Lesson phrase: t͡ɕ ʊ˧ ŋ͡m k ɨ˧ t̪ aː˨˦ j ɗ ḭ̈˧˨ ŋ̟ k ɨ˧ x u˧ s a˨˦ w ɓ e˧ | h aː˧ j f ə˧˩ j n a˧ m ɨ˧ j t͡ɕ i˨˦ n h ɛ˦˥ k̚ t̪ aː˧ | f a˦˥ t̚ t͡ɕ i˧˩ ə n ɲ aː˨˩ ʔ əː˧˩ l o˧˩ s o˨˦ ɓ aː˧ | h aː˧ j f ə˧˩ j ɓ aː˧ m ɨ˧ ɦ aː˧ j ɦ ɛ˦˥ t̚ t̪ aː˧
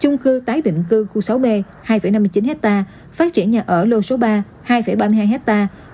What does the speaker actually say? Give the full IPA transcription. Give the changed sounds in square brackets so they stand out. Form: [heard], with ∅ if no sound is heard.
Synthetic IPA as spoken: t͡ɕ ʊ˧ ŋ͡m k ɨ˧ t̪ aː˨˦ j ɗ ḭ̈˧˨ ŋ̟ k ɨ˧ x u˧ s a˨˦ w ɓ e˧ | h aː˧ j f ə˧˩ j n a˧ m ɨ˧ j t͡ɕ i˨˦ n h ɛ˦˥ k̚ t̪ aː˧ | f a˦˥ t̚ t͡ɕ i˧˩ ə n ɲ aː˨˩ ʔ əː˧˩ l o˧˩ s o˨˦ ɓ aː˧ | h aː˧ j f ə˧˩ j ɓ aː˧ m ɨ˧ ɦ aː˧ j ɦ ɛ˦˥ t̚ t̪ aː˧

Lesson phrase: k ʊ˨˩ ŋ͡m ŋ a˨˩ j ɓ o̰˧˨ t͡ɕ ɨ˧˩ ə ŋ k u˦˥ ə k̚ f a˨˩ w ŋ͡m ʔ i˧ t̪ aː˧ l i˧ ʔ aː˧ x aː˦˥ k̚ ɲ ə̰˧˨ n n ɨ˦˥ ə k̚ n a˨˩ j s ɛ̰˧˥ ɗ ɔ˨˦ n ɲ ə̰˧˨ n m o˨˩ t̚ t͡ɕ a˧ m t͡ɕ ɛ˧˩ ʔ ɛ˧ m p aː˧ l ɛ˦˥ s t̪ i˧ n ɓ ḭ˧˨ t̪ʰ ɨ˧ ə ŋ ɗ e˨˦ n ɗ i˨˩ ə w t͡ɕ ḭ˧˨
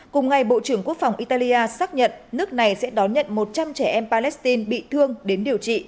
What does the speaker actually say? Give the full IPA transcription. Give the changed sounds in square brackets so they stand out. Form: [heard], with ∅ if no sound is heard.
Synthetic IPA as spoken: k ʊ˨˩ ŋ͡m ŋ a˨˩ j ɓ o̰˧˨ t͡ɕ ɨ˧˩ ə ŋ k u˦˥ ə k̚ f a˨˩ w ŋ͡m ʔ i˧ t̪ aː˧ l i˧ ʔ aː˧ [s] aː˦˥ k̚ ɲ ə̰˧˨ n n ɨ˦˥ ə k̚ n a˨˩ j s ɛ̰˧˥ ɗ ɔ˨˦ n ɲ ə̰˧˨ n m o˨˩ t̚ t͡ɕ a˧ m t͡ɕ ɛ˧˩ ʔ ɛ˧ m p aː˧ l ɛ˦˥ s t̪ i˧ n ɓ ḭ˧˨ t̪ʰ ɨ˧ ə ŋ ɗ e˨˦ n ɗ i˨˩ ə w t͡ɕ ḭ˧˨

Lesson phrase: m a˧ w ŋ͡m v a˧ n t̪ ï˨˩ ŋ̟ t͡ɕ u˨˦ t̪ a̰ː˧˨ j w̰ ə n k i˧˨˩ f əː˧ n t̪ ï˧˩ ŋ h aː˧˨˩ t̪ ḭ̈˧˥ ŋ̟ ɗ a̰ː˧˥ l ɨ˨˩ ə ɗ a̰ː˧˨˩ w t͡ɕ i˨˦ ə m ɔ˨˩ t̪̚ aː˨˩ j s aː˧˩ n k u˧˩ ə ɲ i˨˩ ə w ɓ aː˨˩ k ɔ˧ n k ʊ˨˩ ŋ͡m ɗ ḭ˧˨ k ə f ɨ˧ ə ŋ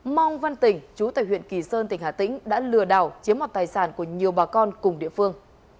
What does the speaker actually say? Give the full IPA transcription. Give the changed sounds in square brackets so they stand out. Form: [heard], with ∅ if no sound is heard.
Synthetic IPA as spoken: m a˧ w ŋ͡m v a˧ n t̪ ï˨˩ ŋ̟ t͡ɕ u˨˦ t̪ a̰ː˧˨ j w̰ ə n k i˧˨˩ [s] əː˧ n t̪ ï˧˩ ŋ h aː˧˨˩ t̪ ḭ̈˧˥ ŋ̟ ɗ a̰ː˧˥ l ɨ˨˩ ə ɗ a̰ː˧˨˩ w t͡ɕ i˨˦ ə m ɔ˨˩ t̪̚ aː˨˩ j s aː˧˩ n k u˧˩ ə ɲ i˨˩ ə w ɓ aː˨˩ k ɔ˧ n k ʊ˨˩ ŋ͡m ɗ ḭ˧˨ [∅] ə f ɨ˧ ə ŋ

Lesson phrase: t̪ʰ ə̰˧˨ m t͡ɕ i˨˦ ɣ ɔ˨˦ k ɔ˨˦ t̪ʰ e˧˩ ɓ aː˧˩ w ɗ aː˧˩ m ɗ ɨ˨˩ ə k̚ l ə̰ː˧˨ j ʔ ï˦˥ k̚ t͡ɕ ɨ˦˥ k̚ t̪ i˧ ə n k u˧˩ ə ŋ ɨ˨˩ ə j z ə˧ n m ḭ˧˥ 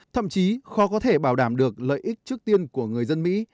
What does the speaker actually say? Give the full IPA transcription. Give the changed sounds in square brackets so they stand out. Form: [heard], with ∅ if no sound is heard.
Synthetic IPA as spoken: t̪ʰ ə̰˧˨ m t͡ɕ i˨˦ [x] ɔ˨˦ k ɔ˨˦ t̪ʰ e˧˩ ɓ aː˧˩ w ɗ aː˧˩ m ɗ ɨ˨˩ ə k̚ l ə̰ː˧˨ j ʔ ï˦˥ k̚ t͡ɕ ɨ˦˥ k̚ t̪ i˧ ə n k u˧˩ ə ŋ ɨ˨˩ ə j z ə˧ n m ḭ˧˥

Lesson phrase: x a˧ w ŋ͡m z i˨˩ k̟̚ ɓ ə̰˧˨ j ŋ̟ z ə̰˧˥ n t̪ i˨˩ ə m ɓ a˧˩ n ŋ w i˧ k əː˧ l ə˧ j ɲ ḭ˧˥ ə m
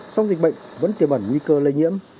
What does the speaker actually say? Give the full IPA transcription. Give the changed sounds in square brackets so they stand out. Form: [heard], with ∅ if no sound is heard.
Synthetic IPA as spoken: [s] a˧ w ŋ͡m z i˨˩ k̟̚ ɓ ə̰˧˨ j ŋ̟ [v] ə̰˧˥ n t̪ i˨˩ ə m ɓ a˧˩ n ŋ w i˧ k əː˧ l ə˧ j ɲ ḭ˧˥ ə m

